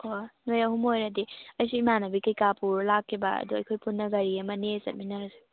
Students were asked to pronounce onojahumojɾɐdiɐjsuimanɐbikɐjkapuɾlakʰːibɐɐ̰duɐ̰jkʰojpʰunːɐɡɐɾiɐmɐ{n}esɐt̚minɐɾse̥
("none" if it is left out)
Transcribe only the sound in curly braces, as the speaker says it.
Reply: n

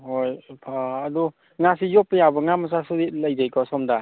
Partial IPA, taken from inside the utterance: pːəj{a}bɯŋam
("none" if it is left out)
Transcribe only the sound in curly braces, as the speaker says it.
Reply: a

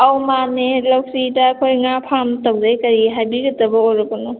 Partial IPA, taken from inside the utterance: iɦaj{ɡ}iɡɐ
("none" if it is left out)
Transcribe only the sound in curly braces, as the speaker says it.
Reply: b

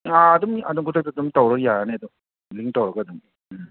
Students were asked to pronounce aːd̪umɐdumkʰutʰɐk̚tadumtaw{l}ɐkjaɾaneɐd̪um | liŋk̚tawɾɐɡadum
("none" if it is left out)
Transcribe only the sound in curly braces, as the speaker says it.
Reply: ɾ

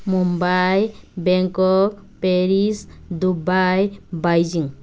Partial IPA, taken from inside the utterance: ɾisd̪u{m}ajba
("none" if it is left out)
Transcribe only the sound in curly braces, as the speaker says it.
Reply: b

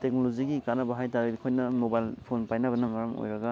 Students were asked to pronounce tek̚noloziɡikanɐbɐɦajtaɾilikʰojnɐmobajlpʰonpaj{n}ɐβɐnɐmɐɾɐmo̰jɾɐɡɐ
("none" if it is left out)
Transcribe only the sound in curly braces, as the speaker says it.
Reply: n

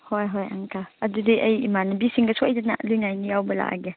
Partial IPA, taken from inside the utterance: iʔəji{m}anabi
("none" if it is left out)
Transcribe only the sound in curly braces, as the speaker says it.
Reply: m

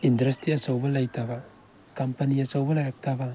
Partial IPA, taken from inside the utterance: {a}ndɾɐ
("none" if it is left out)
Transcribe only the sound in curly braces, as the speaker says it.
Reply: i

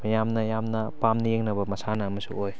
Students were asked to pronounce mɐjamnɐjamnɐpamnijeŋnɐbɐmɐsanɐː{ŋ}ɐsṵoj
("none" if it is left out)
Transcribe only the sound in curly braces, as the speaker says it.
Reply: m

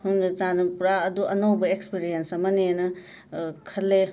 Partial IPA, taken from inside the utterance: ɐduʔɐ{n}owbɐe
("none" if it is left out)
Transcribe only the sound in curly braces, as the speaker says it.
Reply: n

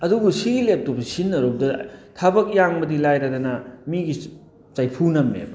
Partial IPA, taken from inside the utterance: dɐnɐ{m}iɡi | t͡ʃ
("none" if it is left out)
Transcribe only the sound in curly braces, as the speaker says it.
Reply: m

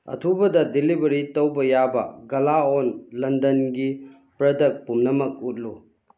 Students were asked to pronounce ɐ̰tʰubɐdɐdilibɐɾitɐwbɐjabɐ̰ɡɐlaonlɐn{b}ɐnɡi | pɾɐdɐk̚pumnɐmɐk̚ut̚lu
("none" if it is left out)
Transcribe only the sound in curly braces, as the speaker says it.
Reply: d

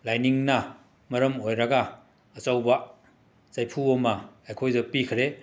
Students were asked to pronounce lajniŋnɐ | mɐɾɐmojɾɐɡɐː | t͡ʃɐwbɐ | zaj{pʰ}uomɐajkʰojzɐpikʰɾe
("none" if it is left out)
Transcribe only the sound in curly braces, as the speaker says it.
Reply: pʰ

